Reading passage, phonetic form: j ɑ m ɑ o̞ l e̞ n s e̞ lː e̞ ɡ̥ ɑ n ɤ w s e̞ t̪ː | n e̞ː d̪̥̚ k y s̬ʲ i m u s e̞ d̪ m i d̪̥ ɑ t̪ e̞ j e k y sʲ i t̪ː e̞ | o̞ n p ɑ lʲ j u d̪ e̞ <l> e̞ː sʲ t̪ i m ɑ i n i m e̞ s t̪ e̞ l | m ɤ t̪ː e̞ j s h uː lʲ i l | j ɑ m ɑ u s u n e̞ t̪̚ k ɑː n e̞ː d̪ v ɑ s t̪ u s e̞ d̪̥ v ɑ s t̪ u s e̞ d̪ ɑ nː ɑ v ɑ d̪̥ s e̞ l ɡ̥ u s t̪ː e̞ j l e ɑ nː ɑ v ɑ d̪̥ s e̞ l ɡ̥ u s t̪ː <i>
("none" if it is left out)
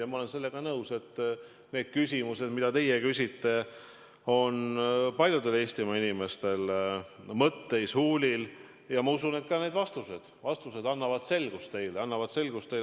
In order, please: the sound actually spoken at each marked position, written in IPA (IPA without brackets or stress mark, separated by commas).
l, e